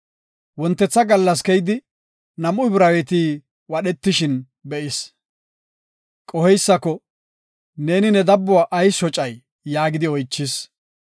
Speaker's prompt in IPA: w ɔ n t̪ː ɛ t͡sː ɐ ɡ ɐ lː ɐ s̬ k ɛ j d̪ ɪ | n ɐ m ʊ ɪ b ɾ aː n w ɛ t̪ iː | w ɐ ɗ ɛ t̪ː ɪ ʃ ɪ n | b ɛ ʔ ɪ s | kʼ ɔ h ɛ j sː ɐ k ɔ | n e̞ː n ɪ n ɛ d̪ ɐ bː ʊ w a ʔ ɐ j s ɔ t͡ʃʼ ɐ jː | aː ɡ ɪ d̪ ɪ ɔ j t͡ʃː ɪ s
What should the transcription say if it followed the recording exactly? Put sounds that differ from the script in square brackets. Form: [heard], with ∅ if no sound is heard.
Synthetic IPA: w ɔ n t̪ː ɛ t͡sː ɐ ɡ ɐ lː ɐ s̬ k ɛ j d̪ ɪ | n ɐ m ʊ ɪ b ɾ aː [∅] w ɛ t̪ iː | w ɐ ɗ ɛ t̪ː ɪ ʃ ɪ n | b ɛ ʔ ɪ s | kʼ ɔ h ɛ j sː ɐ k ɔ | n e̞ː n ɪ n ɛ d̪ ɐ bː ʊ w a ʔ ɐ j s ɔ t͡ʃʼ ɐ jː | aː ɡ ɪ d̪ ɪ ɔ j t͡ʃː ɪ s

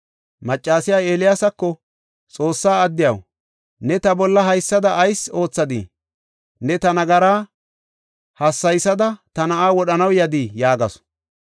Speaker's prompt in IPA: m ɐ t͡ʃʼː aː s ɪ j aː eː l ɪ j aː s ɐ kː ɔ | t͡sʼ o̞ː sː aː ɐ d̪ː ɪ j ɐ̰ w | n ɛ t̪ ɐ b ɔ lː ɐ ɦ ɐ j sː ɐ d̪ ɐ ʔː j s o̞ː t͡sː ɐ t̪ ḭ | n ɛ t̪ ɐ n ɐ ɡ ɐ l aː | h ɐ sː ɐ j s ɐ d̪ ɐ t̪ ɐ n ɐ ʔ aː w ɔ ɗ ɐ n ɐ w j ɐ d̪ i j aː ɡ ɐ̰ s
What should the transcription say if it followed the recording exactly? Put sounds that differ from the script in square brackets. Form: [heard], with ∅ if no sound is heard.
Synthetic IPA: m ɐ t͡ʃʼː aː s ɪ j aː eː l ɪ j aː s ɐ kː ɔ | t͡sʼ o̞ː sː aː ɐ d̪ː ɪ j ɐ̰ w | n ɛ t̪ ɐ b ɔ lː ɐ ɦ ɐ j sː ɐ d̪ ɐ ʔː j s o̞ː t͡sː ɐ [d̪] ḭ | n ɛ t̪ ɐ n ɐ ɡ ɐ [ɾ] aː | h ɐ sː ɐ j s ɐ d̪ ɐ t̪ ɐ n ɐ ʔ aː w ɔ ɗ ɐ n ɐ w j ɐ d̪ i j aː ɡ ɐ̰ s

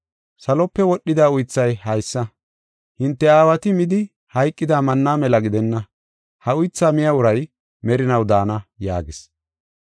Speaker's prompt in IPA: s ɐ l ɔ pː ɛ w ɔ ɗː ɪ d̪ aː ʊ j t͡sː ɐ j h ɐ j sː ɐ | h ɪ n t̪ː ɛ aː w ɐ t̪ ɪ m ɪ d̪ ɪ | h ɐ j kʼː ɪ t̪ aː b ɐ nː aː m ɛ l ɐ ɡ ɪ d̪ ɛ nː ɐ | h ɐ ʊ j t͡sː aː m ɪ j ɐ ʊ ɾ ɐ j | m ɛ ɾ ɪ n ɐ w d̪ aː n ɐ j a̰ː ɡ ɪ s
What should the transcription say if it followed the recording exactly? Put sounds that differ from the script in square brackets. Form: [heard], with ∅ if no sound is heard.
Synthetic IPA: s ɐ l ɔ pː ɛ w ɔ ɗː ɪ d̪ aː ʊ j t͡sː ɐ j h ɐ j sː ɐ | h ɪ n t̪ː ɛ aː w ɐ t̪ ɪ m ɪ d̪ ɪ | h ɐ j kʼː ɪ [d̪] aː [m] ɐ nː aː m ɛ l ɐ ɡ ɪ d̪ ɛ nː ɐ | h ɐ ʊ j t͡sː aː m ɪ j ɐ ʊ ɾ ɐ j | m ɛ ɾ ɪ n ɐ w d̪ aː n ɐ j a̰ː ɡ ɪ s

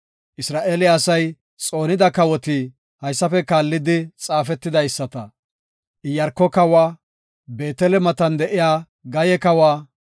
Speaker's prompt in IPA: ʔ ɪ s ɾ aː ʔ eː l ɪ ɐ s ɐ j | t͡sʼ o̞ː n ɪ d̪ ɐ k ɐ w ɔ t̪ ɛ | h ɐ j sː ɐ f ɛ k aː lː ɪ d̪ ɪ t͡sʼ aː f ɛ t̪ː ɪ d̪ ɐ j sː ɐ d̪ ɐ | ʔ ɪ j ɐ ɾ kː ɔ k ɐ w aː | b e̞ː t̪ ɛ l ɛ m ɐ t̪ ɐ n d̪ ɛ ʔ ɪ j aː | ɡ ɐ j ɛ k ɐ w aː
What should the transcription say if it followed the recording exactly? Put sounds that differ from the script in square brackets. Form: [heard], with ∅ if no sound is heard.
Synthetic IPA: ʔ ɪ s ɾ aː ʔ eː l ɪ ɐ s ɐ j | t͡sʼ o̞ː n ɪ d̪ ɐ k ɐ w ɔ t̪ [i] | h ɐ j sː ɐ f ɛ k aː lː ɪ d̪ ɪ t͡sʼ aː f ɛ t̪ː ɪ d̪ ɐ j sː ɐ [t̪] ɐ | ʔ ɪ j ɐ ɾ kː ɔ k ɐ w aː | b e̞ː t̪ ɛ l ɛ m ɐ t̪ ɐ n d̪ ɛ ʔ ɪ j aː | ɡ ɐ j ɛ k ɐ w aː

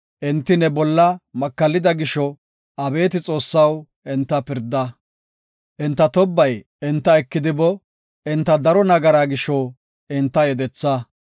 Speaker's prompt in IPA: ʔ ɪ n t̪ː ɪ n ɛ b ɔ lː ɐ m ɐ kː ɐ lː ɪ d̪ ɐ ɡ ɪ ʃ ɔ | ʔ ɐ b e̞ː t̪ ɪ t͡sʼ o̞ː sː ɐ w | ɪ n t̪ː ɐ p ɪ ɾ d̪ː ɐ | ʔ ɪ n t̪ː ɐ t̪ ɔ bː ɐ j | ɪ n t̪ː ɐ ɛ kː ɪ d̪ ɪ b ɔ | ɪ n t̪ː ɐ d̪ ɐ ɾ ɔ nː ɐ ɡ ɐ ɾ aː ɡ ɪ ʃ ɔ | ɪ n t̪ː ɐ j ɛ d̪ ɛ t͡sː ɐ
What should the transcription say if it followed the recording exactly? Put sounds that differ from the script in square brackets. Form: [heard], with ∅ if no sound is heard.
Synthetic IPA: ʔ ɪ n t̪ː ɪ n ɛ b ɔ lː ɐ m ɐ kː ɐ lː ɪ d̪ ɐ ɡ ɪ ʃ ɔ | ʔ ɐ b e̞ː t̪ ɪ t͡sʼ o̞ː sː ɐ w | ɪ n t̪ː ɐ p ɪ ɾ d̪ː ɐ | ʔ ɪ n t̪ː ɐ t̪ ɔ bː ɐ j | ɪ n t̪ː ɐ ɛ kː ɪ d̪ ɪ b ɔ | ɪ n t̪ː ɐ d̪ ɐ ɾ ɔ [n] ɐ ɡ ɐ ɾ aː ɡ ɪ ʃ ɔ | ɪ n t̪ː ɐ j ɛ d̪ ɛ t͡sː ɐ

